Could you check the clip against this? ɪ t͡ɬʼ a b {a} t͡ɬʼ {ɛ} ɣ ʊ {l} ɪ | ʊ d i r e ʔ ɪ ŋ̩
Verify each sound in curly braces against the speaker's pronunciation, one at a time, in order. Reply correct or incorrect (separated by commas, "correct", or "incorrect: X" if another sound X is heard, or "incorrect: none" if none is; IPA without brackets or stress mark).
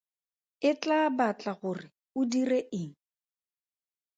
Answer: correct, incorrect: a, incorrect: r